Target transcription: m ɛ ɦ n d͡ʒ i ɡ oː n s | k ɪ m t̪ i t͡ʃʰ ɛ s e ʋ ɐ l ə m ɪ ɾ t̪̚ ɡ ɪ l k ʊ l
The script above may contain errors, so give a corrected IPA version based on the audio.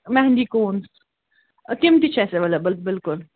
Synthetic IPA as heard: m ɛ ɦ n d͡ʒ i k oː n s | k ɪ m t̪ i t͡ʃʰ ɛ s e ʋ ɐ l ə b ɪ l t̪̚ b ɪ l k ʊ l